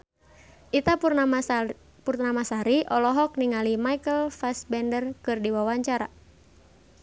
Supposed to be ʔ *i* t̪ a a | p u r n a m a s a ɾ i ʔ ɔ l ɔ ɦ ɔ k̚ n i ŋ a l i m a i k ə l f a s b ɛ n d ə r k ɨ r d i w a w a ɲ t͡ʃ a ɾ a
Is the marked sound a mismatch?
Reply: no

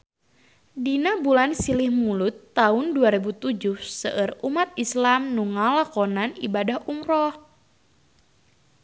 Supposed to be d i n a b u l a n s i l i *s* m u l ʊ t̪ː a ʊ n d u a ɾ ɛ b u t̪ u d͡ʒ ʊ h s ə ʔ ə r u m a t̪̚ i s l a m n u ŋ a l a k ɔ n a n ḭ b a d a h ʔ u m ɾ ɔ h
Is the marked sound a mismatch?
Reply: yes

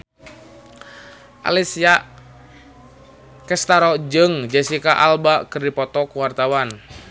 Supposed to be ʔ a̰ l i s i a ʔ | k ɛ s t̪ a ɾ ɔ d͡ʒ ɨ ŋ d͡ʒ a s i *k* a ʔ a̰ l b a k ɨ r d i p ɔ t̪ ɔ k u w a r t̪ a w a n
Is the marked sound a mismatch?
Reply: no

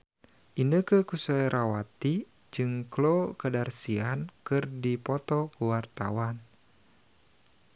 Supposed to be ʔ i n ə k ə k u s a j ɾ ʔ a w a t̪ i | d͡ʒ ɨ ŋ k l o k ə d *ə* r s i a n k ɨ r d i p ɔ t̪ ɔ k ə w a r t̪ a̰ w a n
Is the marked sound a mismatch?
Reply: yes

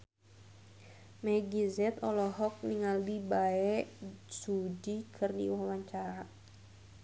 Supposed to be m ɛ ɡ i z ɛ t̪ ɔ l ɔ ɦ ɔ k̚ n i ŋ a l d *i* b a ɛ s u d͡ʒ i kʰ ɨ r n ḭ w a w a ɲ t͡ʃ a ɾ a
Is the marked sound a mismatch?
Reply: no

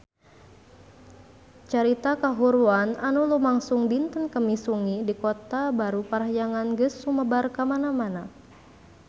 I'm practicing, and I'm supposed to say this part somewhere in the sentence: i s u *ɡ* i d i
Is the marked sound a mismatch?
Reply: yes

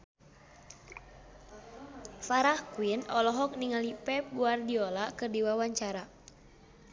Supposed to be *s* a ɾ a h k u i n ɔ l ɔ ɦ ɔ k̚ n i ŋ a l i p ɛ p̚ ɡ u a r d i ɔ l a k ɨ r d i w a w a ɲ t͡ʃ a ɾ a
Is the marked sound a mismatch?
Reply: yes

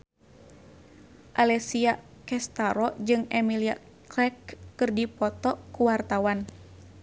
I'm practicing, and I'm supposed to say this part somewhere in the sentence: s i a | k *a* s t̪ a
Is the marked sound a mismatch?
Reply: yes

